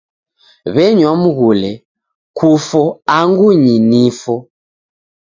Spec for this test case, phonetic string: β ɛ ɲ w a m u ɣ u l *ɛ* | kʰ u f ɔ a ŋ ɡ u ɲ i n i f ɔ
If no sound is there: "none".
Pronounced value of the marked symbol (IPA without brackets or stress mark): ɛ